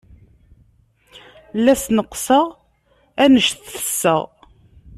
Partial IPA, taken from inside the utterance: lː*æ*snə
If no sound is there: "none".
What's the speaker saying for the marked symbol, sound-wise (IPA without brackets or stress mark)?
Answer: æ